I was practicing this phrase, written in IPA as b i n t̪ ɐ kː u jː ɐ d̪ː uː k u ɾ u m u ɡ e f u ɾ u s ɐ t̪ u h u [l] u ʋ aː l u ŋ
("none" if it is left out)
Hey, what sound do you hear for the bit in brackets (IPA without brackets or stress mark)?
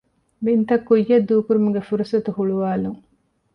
ɭ